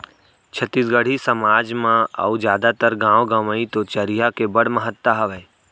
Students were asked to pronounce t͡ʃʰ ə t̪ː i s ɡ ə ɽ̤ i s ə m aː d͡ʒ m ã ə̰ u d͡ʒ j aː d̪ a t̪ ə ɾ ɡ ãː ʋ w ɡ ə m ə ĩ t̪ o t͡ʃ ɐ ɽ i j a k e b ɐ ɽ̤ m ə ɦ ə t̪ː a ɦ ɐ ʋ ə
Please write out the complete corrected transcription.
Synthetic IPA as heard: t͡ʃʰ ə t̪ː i s ɡ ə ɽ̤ i s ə m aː d͡ʒ m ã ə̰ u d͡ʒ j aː d̪ a t̪ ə ɾ ɡ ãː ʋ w ɡ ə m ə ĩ t̪ o t͡ʃ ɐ ɾ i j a k e b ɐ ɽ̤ m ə ɦ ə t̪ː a ɦ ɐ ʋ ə

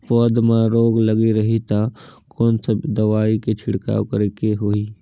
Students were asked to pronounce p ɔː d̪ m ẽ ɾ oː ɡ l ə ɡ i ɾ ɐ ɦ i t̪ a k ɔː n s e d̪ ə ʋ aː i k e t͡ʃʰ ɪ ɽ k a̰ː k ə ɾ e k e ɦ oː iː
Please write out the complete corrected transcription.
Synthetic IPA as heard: p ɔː d̪ m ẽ ɾ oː ɡ l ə ɡ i ɾ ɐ ɦ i t̪ a k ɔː n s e d̪ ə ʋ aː i k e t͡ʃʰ ɪ ɽ k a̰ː k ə ɾ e k e ɦ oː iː

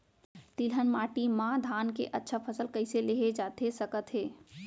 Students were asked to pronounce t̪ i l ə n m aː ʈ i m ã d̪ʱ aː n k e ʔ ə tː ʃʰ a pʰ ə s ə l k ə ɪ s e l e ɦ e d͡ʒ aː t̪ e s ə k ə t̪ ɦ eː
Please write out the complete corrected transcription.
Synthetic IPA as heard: t̪ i l ə n m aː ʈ i m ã d̪ʱ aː n k e ʔ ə tː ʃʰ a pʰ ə s ə l k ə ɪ s e l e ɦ e d͡ʒ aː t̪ e s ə k ə t̪ ɦ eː

